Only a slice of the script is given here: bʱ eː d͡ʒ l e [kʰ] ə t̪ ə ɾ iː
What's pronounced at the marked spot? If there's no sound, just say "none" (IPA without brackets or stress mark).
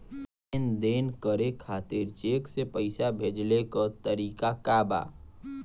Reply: k